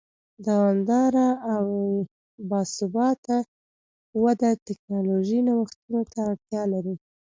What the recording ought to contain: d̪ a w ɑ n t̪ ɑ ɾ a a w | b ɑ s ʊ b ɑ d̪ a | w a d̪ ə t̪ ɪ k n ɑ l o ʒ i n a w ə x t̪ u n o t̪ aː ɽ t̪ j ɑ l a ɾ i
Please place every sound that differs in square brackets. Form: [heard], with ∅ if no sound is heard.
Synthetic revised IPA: d̪ a w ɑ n [d̪] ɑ ɾ a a w | b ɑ s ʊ b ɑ [t̪] a | w a d̪ [a] t̪ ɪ k n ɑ l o ʒ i n a w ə x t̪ u n o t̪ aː ɽ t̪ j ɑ l a ɾ i

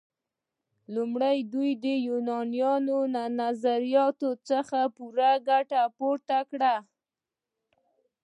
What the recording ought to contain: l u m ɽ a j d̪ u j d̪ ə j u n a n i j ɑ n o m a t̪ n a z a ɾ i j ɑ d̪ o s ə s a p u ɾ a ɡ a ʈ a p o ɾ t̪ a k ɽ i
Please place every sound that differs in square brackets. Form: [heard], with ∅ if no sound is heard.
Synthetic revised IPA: l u m ɽ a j d̪ u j d̪ ə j u n [ɑ] n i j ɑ n o [n] a [∅] n a z a ɾ i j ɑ [t̪] o [t͡s] ə [x] a p u ɾ a ɡ a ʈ a p o ɾ t̪ a k ɽ [a]

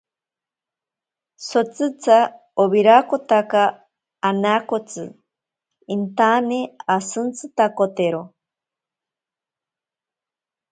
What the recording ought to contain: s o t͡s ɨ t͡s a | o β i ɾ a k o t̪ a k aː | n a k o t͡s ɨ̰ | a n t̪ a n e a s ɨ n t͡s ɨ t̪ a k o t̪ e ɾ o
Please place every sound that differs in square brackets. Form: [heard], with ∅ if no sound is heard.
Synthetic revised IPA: s o t͡s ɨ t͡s a | o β i ɾ a k o t̪ a k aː | n a k o t͡s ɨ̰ | [i] n t̪ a n e a s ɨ n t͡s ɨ t̪ a k o t̪ e ɾ o

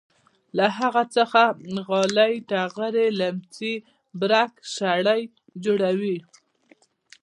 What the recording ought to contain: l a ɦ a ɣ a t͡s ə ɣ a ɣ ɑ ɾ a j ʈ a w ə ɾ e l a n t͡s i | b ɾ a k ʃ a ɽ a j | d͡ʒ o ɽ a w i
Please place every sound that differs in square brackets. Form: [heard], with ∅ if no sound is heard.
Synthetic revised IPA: l a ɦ a ɣ a t͡s ə [x] a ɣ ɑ [l] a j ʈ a [ɣ] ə ɾ e l a [m] t͡s i | b ɾ a k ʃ a ɽ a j | d͡ʒ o ɽ a w i

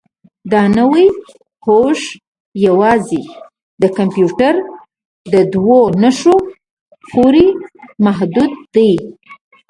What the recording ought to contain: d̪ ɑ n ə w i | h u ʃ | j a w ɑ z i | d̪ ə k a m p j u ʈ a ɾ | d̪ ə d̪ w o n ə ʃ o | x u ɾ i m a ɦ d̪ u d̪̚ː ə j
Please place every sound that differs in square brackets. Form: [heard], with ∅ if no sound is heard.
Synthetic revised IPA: d̪ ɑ n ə w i | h [o] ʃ | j a w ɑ z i | d̪ ə k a m p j u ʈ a ɾ | d̪ ə d̪ w o n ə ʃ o | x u ɾ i m a ɦ d̪ u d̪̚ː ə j

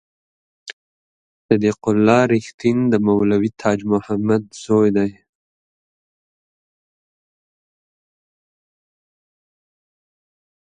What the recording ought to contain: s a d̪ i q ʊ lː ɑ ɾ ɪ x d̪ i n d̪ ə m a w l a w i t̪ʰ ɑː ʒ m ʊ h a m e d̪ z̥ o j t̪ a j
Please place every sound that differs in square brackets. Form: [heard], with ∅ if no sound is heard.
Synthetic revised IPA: s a d̪ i q ʊ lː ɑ ɾ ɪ x [t̪] i n d̪ ə m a w l a w i t̪ʰ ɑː [d͡ʒ] m ʊ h a m [a] d̪ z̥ o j [d̪] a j

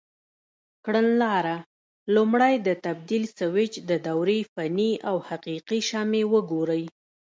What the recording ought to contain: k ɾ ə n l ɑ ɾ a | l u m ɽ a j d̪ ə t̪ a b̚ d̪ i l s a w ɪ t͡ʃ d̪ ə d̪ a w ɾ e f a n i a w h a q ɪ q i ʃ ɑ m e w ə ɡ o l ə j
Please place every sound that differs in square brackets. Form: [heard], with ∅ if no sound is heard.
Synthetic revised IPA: k [ɽ] ə n l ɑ ɾ a | l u m ɽ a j d̪ ə t̪ a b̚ d̪ i l s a w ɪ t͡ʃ d̪ ə d̪ a w ɾ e f a n i a w h a q [i] q i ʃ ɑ m e w ə ɡ o [ɾ] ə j

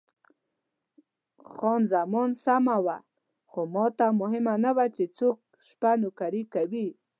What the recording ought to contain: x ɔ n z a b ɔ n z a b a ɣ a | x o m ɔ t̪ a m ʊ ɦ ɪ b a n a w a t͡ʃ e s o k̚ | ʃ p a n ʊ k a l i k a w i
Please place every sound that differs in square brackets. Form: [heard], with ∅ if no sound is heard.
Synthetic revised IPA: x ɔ n z a [m] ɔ n [s] a [m] a [w] a | x o m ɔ t̪ a m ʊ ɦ ɪ [m] a n a w a t͡ʃ e [t͡s] o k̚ | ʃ p a n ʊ k a [ɾ] i k a w i

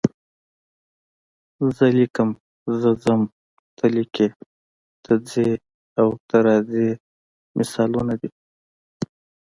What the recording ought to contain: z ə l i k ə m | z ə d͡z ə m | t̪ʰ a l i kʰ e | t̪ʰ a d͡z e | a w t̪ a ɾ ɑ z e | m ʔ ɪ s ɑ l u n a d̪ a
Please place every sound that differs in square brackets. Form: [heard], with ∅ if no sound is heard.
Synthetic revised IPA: z ə l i k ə m | z ə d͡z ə m | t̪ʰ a l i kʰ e | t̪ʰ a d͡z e | a w t̪ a ɾ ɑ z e | m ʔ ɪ s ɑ l u n a d̪ [i]

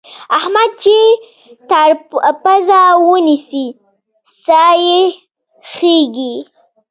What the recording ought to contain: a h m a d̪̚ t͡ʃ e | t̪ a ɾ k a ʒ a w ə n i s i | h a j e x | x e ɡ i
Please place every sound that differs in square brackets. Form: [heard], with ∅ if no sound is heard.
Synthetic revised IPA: a h m a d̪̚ t͡ʃ e | t̪ a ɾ [p] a [z] a w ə n i s i | [s] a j e [∅] | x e ɡ i

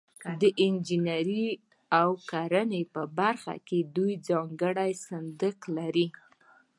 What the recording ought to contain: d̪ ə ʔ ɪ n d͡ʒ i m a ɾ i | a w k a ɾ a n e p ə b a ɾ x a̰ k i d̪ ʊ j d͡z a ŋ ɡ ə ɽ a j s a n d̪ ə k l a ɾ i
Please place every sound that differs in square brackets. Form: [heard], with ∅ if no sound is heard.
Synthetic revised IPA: d̪ ə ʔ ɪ n d͡ʒ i [n] a ɾ i | a w k a ɾ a n e p ə b a ɾ x a̰ k [e] d̪ [u] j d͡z [ɑ] ŋ ɡ ə ɽ a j s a n d̪ ə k l a ɾ i

